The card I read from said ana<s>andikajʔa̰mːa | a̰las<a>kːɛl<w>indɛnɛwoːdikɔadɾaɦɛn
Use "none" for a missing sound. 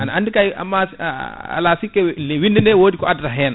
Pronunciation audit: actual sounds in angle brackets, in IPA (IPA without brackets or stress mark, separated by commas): none, i, w